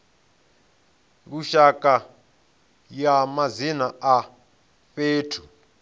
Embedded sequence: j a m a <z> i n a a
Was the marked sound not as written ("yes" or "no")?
no